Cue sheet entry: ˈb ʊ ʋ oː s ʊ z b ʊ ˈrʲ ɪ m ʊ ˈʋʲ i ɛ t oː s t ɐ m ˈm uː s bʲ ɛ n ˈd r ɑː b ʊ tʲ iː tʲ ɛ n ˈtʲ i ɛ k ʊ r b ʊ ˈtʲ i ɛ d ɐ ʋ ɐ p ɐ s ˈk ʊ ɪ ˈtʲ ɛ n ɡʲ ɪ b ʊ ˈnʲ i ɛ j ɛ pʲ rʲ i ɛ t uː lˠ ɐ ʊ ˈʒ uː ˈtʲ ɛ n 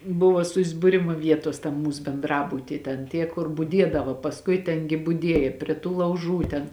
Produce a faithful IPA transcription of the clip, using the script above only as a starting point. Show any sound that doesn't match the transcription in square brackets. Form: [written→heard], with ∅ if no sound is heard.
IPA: ˈb ʊ ʋ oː s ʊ z b ʊ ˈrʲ ɪ m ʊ ˈʋʲ i ɛ t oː s t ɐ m ˈm uː s bʲ ɛ n ˈd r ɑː b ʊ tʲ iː tʲ ɛ n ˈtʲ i ɛ k ʊ r b ʊ [ˈtʲ→ˈdʲ] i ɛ d ɐ ʋ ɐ p ɐ s ˈk ʊ ɪ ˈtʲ ɛ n ɡʲ ɪ b ʊ [ˈnʲ→ˈdʲ] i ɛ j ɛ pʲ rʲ i ɛ t uː lˠ ɐ ʊ ˈʒ uː ˈtʲ ɛ n